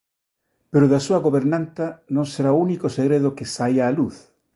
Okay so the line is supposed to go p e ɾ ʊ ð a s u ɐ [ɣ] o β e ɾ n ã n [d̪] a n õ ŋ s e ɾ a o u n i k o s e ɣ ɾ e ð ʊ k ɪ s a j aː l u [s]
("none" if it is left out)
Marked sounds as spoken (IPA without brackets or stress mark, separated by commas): ɣ, t̪, θ